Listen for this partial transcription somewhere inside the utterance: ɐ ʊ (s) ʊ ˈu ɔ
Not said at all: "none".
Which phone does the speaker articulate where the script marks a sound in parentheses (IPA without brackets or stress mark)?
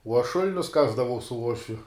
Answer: s